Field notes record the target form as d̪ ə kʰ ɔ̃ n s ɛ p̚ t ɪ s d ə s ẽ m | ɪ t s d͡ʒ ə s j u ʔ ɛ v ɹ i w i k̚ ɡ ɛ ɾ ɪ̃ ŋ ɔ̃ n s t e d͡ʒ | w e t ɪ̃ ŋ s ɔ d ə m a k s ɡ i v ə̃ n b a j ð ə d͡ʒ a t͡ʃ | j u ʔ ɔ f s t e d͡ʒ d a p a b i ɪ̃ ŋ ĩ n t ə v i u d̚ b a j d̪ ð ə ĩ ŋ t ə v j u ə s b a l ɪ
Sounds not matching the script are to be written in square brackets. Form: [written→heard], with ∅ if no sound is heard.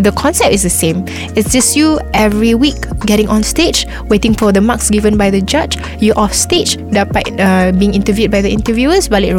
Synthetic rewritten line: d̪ ə kʰ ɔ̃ n s ɛ p̚ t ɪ s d ə s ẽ m | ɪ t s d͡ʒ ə s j u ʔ ɛ v ɹ i w i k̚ ɡ ɛ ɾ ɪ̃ ŋ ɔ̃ n s t e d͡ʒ | w e t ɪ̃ ŋ [s→f] ɔ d ə m a k s ɡ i v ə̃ n b a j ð ə d͡ʒ a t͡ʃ | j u ʔ ɔ f s t e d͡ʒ d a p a b i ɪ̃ ŋ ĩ n t ə v [i→j] u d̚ b a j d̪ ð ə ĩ [ŋ→n] t ə v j u ə s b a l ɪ